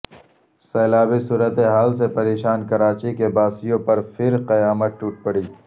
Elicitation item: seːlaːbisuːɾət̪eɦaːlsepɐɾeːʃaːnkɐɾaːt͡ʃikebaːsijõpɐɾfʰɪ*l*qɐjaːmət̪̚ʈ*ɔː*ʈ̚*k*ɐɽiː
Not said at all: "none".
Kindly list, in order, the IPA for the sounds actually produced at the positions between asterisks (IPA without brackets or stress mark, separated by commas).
ɾ, uː, p